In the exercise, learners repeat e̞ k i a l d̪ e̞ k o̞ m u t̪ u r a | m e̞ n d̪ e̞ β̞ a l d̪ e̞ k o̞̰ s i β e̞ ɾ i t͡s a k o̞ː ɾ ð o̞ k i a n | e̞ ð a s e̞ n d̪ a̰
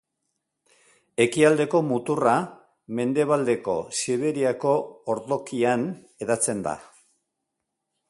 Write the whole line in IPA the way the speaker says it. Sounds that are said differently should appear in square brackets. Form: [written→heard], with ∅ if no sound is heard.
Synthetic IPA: e̞ k i a l d̪ e̞ k o̞ m u t̪ u r a | m e̞ n d̪ e̞ β̞ a l d̪ e̞ k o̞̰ s i β e̞ ɾ i [t͡s→∅] a k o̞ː ɾ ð o̞ k i a n | e̞ ð a [s→t͡s] e̞ n d̪ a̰